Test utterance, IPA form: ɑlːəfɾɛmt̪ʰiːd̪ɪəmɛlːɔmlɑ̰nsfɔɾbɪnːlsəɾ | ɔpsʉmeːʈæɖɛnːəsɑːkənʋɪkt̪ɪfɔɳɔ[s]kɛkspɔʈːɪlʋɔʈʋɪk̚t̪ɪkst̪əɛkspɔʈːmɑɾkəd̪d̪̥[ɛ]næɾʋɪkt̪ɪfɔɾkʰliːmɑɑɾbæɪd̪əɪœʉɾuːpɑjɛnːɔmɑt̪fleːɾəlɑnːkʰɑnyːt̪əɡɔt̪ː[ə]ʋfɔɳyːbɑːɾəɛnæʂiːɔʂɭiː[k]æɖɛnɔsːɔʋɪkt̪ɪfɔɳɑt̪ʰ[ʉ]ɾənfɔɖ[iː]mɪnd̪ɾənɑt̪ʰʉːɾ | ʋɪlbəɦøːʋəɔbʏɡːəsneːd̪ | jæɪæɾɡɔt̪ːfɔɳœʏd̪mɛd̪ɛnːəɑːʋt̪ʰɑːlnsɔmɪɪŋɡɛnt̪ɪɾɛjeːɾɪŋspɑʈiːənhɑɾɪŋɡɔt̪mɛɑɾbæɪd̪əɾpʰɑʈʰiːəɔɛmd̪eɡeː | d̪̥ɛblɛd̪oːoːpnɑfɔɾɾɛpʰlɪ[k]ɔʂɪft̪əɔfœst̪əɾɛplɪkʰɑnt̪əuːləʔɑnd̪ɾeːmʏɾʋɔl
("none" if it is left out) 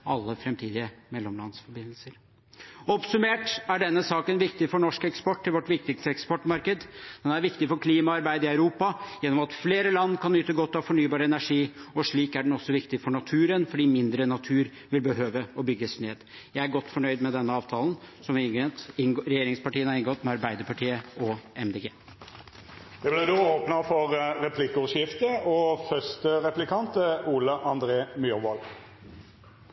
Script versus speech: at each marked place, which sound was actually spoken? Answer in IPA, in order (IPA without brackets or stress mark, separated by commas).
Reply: ʂ, ɛ, ɑ, k, ʉː, iː, k